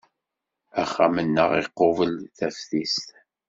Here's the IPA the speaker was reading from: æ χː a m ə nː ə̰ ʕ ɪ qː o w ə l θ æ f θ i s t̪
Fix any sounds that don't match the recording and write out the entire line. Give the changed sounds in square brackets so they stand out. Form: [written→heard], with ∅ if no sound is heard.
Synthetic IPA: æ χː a m ə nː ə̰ [ʕ→ʁ] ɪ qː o [w→v] ə l θ æ f θ i s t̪